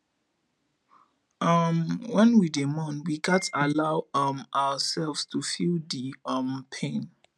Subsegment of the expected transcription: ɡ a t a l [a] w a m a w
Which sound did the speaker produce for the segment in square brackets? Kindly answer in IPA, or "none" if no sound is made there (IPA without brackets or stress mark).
a